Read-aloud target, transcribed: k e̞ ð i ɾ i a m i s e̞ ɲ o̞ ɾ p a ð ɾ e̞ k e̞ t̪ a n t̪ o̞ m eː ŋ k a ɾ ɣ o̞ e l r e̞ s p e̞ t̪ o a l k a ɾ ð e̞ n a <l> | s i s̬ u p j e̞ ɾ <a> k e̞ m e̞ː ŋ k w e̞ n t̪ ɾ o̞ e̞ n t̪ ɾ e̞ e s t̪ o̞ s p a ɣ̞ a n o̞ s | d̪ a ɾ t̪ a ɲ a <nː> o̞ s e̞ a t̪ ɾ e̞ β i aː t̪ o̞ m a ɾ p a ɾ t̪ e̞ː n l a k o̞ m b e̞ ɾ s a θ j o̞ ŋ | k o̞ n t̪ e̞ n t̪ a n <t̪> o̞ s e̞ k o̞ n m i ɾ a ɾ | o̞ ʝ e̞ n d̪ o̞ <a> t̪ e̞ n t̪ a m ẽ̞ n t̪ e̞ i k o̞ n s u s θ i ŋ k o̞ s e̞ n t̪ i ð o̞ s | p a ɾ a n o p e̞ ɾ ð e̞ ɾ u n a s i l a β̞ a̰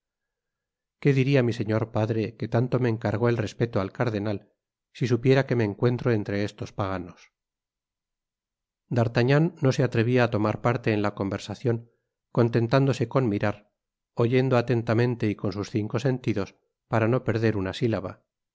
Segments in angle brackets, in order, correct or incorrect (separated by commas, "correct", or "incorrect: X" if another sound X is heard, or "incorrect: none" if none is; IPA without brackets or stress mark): correct, correct, correct, incorrect: d̪, correct